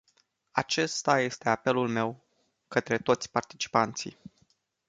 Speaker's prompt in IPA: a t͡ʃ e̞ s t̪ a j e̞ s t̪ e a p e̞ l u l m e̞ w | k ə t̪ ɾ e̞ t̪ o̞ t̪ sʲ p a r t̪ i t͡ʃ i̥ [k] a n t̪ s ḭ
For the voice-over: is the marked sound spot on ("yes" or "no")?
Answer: no